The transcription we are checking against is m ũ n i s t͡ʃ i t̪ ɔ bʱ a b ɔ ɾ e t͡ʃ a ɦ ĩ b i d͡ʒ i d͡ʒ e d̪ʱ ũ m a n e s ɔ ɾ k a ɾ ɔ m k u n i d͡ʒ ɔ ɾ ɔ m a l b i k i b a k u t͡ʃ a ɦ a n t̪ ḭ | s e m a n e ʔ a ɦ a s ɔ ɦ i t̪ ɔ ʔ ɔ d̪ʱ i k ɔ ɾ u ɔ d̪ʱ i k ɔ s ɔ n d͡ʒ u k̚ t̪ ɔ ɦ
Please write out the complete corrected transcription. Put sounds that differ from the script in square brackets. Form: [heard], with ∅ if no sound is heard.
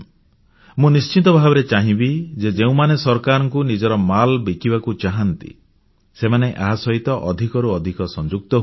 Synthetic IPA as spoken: m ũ n i s t͡ʃ i t̪ ɔ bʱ a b ɔ ɾ e t͡ʃ a ɦ ĩ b i d͡ʒ [e] d͡ʒ e [∅] ũ m a n e s ɔ ɾ k a ɾ ɔ [ŋ] k u n i d͡ʒ ɔ ɾ ɔ m a l b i k i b a k u t͡ʃ a ɦ a n t̪ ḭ | s e m a n e ʔ a ɦ a s ɔ ɦ i t̪ ɔ ʔ ɔ d̪ʱ i k ɔ ɾ u ɔ d̪ʱ i k ɔ s ɔ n d͡ʒ u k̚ t̪ ɔ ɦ